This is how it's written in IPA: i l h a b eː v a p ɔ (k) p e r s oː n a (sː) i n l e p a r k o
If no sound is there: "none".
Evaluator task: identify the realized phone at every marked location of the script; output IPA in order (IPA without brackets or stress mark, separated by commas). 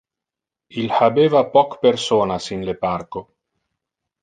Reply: k, s